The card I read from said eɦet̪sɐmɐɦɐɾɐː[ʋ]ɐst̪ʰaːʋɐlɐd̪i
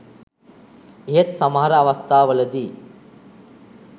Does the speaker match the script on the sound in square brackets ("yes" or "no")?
yes